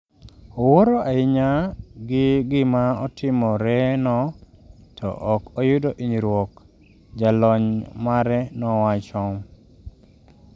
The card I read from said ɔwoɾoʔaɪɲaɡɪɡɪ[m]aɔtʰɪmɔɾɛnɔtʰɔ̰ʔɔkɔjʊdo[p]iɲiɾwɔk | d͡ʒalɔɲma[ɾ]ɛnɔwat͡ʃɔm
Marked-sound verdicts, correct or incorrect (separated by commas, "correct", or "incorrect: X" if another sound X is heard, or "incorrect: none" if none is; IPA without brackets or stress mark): correct, incorrect: ʔ, correct